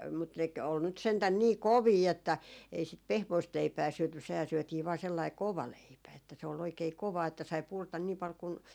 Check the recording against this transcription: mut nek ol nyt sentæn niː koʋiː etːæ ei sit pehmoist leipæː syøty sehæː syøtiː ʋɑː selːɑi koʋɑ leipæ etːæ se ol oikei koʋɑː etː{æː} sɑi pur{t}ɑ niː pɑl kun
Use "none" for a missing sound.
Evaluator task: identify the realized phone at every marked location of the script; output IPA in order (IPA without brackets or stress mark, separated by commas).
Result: æ, t